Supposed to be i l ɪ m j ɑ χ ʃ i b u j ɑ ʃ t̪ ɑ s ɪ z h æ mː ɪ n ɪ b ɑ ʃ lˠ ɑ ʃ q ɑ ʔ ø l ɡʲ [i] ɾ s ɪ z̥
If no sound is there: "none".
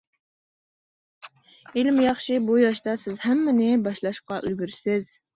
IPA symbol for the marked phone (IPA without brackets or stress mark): y